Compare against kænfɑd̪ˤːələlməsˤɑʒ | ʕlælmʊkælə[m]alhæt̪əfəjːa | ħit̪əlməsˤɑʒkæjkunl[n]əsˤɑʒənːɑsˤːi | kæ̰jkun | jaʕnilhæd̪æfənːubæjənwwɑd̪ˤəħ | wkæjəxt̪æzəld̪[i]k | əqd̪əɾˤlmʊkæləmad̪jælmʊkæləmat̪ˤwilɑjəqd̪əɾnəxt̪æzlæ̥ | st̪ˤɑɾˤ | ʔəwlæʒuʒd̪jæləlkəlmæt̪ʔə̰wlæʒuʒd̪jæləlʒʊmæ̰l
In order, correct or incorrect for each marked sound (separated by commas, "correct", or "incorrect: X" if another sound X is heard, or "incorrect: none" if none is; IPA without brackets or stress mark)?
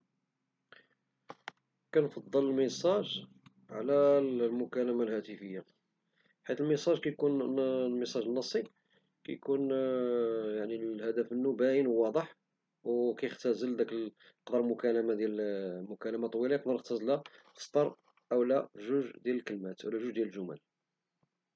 correct, incorrect: m, incorrect: æ